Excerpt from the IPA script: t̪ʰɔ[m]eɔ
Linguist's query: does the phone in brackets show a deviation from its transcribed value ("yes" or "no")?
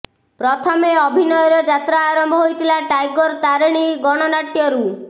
no